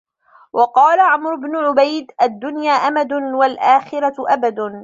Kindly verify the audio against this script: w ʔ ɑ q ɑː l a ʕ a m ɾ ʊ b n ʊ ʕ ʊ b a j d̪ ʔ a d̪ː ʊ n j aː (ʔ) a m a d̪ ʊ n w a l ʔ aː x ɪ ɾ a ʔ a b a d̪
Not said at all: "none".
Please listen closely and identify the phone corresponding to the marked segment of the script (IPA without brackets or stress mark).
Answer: ʔ